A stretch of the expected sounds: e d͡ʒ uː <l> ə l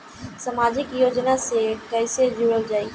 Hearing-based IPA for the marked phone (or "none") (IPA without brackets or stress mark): ɽ